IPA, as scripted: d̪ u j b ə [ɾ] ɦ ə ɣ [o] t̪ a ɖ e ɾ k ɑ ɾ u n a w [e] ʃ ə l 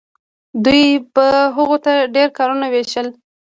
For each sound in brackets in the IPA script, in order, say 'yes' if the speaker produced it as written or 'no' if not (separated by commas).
no, yes, yes